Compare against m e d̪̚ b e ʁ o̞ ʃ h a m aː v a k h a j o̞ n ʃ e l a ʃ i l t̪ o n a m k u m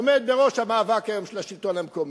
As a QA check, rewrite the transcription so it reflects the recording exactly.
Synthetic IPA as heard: m e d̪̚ b e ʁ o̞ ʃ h a m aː v a k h a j o̞ m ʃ e l a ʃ i l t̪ o n a m k o m